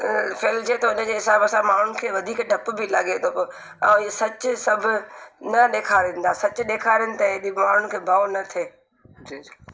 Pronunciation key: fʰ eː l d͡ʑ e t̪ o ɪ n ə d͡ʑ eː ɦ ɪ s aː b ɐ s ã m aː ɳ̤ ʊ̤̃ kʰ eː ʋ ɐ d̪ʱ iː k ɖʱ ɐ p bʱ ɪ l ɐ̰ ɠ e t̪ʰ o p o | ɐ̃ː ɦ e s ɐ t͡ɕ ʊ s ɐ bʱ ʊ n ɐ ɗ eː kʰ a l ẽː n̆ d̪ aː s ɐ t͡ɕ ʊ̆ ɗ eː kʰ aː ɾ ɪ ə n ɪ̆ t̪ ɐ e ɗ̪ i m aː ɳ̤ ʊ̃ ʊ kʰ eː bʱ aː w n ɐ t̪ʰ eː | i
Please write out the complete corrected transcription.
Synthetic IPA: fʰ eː l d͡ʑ e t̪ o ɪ n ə d͡ʑ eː ɦ ɪ s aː b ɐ s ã m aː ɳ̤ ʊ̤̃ kʰ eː ʋ ɐ d̪ʱ iː k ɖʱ ɐ p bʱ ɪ l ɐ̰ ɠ e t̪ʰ o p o | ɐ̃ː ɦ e s ɐ t͡ɕ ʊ s ɐ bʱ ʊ n ɐ ɗ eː kʰ a ɾ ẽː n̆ d̪ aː s ɐ t͡ɕ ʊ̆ ɗ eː kʰ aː ɾ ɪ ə n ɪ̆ t̪ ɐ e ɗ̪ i m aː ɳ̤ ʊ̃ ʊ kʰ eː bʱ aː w n ɐ t̪ʰ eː | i